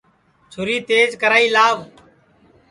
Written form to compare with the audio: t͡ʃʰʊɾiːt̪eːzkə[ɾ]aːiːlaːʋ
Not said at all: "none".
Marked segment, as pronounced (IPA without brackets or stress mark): ɾ